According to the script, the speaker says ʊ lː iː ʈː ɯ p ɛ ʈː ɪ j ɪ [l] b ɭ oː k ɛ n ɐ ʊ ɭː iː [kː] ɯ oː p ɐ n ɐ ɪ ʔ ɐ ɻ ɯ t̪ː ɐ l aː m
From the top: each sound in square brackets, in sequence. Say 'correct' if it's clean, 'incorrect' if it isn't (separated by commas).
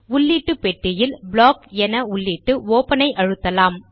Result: correct, incorrect